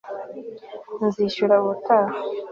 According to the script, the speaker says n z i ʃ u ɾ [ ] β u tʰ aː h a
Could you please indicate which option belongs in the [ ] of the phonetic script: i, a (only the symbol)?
a